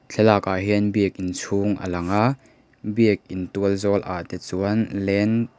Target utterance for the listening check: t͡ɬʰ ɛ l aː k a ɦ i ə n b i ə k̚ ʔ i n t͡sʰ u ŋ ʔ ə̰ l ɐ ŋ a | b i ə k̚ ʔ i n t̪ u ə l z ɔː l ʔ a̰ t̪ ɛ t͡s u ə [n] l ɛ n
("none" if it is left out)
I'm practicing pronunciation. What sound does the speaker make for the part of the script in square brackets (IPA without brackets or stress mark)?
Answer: n